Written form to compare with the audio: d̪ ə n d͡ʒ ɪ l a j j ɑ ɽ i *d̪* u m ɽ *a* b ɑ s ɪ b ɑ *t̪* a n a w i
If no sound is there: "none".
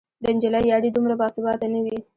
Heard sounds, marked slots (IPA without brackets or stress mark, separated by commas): d̪, a, t̪